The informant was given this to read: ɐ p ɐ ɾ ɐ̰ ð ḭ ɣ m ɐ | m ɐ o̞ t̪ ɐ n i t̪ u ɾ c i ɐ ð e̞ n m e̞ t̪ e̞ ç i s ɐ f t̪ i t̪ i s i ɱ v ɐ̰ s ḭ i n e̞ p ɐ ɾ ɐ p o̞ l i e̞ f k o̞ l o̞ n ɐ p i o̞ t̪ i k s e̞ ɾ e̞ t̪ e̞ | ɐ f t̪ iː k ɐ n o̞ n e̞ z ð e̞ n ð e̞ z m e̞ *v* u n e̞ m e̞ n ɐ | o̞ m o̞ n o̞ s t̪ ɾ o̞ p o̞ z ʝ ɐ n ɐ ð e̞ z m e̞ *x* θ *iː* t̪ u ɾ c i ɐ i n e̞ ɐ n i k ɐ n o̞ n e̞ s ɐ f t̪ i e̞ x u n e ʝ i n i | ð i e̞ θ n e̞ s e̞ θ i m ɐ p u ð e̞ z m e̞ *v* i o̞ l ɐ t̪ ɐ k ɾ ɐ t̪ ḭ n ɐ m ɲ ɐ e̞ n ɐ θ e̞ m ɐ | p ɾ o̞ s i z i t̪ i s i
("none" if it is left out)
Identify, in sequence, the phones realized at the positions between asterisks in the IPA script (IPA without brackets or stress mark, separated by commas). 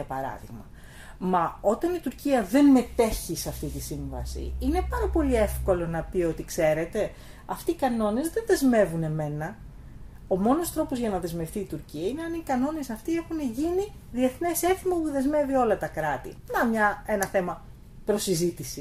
v, f, iː, v